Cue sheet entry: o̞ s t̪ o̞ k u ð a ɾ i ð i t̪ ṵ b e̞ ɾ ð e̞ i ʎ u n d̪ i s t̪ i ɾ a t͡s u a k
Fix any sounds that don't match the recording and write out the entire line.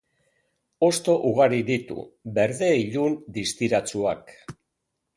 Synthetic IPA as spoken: o̞ s t̪ o̞ ʔ u ɣ a ɾ i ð i t̪ ṵ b e̞ ɾ ð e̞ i ʎ u n d̪ i s t̪ i ɾ a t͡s u a k